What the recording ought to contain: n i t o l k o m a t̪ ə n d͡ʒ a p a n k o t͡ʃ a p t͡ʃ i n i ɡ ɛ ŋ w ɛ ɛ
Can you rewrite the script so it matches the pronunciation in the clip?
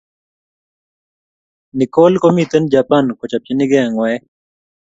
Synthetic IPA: n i k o l k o m i t̪ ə n d͡ʒ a p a n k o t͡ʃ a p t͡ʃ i n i ɡ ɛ ŋ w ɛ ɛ

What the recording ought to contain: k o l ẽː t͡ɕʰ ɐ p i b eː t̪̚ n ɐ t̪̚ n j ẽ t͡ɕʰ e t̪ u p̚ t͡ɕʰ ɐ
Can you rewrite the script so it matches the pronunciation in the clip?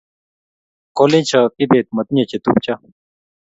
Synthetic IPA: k o l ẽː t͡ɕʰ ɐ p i b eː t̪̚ m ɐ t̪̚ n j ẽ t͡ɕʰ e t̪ u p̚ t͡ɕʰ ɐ

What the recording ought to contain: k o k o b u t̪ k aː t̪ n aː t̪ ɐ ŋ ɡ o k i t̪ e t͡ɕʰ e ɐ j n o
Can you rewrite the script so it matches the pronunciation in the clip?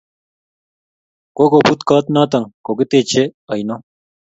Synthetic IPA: k o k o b u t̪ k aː t̪ n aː t̪ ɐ ŋ k o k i t̪ e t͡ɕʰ e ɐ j n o

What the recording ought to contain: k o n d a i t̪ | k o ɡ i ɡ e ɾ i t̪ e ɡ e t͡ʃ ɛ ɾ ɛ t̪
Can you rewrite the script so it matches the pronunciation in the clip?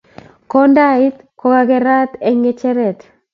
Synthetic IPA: k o n d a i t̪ | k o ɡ a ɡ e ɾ a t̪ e ŋ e t͡ʃ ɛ ɾ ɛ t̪

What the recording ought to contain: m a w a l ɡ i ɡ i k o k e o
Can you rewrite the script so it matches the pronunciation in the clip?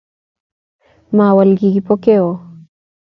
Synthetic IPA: m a w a l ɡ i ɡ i p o k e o

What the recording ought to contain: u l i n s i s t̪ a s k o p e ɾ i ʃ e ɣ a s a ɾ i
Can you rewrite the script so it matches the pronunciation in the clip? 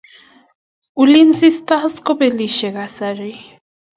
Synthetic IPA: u l i n s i s t̪ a s k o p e l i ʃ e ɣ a s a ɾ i

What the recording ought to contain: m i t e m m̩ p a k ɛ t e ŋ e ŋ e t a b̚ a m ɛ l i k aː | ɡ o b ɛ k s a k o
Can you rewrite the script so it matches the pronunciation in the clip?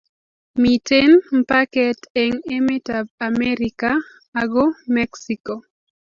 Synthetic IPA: m i t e n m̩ p a k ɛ t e ŋ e m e t a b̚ a m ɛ ɾ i k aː | ɡ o m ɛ k s i k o

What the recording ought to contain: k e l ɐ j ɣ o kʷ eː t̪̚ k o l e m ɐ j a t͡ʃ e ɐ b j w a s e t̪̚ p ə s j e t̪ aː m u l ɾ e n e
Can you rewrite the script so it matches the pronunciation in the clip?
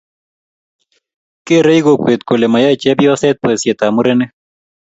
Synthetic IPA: k e ɾ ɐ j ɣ o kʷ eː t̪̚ k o l e m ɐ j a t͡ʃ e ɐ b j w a s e t̪̚ p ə s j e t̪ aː m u ɾ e n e

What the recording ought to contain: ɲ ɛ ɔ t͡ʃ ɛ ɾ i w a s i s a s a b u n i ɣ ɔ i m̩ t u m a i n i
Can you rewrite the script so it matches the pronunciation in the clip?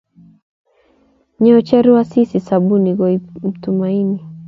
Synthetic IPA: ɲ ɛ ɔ t͡ʃ ɛ ɾ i w a s i s i s a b u n i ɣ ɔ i m̩ t u m a i n i

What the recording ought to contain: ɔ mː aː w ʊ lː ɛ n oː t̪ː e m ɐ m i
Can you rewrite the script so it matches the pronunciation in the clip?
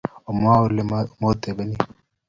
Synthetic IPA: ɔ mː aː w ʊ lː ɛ m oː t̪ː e b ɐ n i

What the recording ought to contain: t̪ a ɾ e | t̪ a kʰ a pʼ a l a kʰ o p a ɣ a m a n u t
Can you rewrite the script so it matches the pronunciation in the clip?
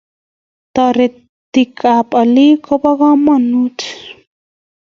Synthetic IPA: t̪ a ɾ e | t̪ i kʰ a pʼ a l i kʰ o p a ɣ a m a n u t

